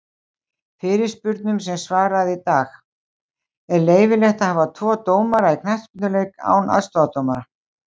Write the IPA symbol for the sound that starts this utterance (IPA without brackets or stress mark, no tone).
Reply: f